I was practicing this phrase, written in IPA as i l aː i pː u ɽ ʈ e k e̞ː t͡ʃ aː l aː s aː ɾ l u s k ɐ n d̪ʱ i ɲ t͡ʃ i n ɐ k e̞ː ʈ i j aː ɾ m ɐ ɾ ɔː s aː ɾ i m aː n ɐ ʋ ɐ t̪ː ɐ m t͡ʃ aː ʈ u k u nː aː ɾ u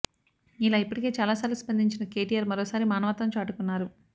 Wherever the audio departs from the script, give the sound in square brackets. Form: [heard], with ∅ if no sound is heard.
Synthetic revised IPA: i l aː i pː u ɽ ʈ [i] k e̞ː t͡ʃ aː l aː s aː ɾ l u s [p] ɐ n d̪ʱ i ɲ t͡ʃ i n ɐ k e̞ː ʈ i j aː ɾ m ɐ ɾ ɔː s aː ɾ i m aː n ɐ ʋ ɐ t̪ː ɐ m t͡ʃ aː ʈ u k u nː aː ɾ u